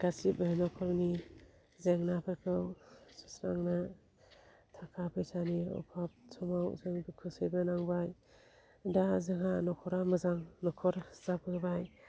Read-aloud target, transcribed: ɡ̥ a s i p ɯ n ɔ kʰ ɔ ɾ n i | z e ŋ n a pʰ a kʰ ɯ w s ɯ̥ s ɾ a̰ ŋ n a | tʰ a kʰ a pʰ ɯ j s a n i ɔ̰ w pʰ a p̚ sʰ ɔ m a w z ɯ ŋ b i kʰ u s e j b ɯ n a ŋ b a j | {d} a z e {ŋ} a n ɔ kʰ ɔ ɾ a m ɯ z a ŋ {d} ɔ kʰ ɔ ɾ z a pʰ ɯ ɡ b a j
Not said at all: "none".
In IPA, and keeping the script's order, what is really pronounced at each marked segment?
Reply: d, ŋ, n

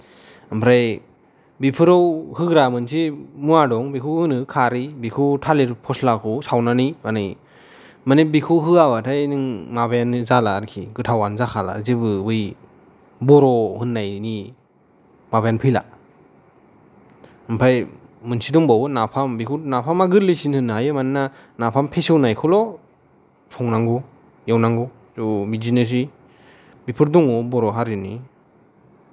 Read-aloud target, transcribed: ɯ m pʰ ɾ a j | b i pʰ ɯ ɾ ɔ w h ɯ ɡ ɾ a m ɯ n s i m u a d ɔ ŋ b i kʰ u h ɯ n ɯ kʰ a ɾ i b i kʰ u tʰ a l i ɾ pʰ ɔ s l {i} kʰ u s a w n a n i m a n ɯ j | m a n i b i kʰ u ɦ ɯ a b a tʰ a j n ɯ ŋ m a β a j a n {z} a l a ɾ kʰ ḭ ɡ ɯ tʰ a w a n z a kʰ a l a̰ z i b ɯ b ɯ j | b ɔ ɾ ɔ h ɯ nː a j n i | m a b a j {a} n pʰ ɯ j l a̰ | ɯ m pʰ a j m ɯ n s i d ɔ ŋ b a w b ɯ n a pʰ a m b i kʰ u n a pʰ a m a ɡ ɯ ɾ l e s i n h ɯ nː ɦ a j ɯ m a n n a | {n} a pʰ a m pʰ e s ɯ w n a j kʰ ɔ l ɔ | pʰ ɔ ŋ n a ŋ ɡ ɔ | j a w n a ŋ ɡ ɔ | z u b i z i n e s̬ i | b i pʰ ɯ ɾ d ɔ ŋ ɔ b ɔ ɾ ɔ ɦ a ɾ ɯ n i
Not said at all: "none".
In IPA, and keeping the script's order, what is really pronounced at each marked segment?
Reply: a, z, a, n

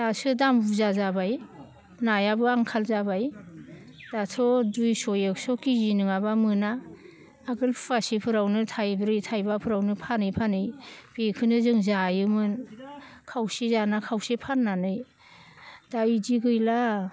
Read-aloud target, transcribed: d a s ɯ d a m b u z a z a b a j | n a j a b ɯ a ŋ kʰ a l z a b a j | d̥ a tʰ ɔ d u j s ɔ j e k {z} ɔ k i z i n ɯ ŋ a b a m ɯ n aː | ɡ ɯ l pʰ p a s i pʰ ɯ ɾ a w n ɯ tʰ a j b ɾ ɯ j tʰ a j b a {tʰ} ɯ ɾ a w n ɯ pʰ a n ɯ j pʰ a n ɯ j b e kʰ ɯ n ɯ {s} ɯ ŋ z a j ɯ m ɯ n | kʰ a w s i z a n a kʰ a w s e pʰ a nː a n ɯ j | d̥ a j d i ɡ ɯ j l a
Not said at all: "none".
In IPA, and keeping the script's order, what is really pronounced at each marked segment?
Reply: s, pʰ, z

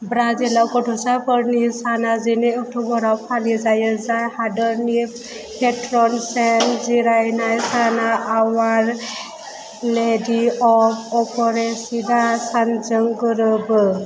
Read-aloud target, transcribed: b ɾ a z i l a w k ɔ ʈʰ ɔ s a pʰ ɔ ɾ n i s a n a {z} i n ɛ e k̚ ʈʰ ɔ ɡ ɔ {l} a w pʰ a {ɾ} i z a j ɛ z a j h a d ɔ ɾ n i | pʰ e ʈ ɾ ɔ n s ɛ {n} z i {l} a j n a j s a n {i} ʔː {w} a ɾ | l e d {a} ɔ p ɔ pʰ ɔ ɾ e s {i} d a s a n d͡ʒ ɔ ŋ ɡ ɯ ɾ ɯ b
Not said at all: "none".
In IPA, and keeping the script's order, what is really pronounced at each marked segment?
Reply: z, ɾ, l, n, ɾ, a, w, i, i

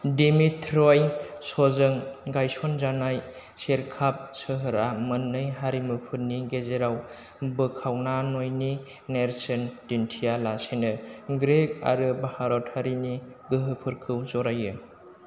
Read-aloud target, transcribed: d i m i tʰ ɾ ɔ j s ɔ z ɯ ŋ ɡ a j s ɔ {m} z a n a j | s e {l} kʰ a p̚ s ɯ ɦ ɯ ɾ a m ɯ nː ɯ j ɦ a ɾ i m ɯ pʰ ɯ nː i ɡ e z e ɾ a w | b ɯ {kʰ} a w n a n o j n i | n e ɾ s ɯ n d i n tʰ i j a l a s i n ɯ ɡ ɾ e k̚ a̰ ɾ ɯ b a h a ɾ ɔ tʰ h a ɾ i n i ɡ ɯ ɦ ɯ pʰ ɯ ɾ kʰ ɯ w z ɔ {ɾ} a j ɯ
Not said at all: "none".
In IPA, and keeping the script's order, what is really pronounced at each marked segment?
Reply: n, ɾ, kʰ, ɾ

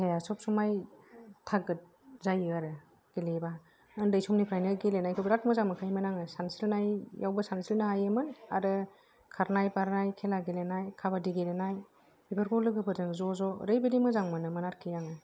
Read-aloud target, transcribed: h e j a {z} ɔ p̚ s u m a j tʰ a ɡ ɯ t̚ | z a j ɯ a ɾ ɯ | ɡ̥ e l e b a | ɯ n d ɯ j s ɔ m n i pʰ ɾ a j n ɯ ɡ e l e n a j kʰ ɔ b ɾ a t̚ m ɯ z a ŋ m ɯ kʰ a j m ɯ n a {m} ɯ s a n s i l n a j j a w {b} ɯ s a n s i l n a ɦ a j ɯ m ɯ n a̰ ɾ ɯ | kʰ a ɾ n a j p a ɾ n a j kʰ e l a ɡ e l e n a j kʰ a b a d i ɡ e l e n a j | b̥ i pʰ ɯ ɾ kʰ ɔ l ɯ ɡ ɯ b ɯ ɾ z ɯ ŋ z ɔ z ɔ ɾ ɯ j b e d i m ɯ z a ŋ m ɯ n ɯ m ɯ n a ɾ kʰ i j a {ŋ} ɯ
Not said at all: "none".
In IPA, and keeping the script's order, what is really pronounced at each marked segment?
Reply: s, ŋ, b, ŋ

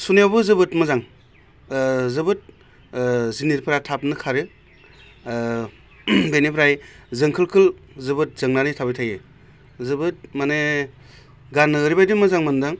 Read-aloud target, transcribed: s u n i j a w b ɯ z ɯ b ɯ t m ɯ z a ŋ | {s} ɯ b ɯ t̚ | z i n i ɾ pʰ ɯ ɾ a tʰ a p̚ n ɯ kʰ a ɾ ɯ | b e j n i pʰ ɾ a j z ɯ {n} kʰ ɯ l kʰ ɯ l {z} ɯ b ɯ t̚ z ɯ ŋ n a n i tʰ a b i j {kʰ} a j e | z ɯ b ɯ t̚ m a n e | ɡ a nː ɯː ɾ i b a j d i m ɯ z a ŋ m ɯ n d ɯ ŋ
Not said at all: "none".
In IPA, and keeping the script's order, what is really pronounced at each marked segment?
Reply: z, ŋ, z, tʰ

